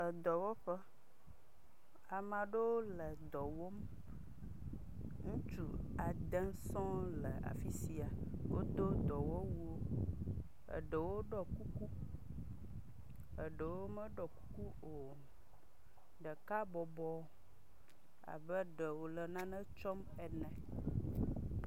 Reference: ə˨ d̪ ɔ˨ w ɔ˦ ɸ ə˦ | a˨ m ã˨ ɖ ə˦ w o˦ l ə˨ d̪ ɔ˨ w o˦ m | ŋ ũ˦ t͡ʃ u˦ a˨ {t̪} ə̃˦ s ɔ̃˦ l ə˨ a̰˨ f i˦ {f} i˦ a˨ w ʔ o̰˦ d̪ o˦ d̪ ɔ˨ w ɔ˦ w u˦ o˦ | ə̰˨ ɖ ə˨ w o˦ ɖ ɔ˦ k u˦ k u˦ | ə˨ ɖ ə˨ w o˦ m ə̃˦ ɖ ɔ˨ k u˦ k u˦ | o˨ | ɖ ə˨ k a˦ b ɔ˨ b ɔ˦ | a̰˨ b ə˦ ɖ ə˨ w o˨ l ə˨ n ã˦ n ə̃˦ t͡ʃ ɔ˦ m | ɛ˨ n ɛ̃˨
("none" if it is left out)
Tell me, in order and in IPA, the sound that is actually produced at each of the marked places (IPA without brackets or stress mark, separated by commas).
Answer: d̪, s